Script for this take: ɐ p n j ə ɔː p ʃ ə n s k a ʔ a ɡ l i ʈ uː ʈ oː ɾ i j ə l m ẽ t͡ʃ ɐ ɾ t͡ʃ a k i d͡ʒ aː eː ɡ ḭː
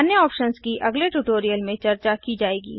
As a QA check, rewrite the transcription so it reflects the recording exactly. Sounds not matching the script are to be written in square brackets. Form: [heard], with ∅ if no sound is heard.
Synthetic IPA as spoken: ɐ [∅] n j ə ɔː p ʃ ə n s k [i] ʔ [ɐ] ɡ l [e] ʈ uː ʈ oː ɾ i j ə l m ẽ t͡ʃ ɐ ɾ t͡ʃ a k i d͡ʒ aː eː ɡ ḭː